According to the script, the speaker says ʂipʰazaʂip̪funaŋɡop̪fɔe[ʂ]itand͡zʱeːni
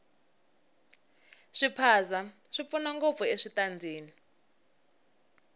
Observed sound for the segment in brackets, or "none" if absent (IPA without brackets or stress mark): ʂ